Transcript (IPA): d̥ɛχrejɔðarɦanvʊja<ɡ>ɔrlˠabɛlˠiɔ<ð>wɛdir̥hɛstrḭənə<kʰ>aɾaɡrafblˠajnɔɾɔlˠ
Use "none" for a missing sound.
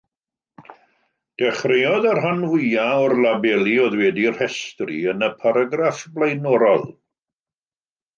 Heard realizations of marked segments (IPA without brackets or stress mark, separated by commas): none, ð, pʰ